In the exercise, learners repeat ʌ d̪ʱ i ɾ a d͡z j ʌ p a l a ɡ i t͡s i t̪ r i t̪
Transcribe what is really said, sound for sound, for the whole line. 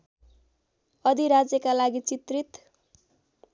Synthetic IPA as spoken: ʌ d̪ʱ i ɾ a d͡z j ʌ k a l a ɡ i t͡s i t̪ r i t̪